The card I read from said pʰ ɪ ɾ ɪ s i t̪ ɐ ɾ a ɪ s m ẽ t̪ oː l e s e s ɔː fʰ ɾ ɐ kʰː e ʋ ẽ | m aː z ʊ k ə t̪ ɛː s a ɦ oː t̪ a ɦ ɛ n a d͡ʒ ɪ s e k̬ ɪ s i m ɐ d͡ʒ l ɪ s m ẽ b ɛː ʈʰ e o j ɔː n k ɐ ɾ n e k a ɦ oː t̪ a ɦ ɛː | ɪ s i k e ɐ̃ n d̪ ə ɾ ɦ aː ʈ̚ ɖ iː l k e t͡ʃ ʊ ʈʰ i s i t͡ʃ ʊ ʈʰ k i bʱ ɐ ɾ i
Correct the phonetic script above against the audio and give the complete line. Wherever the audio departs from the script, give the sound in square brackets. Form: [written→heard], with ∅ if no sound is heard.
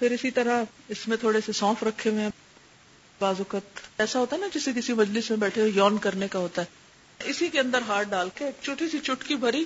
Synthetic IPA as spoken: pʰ ɪ ɾ ɪ s i t̪ ɐ ɾ a ɪ s m ẽ [t̪→t̪ʰ] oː [l→ɽ] e s e s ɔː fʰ ɾ ɐ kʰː e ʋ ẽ | [m→b] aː z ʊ k ə t̪ ɛː s a ɦ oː t̪ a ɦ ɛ n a d͡ʒ ɪ s e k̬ ɪ s i m ɐ d͡ʒ l ɪ s m ẽ b ɛː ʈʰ e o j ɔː n k ɐ ɾ n e k a ɦ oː t̪ a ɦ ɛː | ɪ s i k e ɐ̃ n d̪ ə ɾ ɦ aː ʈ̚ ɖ [iː→aː] l k e t͡ʃ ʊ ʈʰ i s i t͡ʃ ʊ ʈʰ k i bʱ ɐ ɾ i